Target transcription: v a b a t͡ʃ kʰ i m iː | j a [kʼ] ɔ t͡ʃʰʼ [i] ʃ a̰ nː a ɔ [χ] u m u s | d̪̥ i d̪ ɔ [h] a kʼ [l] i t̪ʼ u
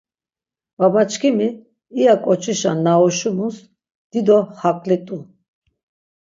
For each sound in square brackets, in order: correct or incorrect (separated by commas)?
correct, correct, incorrect, correct, correct